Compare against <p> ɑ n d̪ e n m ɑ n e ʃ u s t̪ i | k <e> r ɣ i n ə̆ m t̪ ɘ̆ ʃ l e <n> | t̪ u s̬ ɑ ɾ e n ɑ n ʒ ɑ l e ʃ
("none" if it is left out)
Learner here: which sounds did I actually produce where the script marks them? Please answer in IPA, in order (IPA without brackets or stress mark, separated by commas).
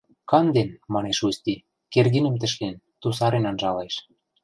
k, e, n